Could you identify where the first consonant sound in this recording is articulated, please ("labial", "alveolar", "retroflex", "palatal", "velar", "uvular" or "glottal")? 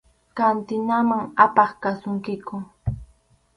velar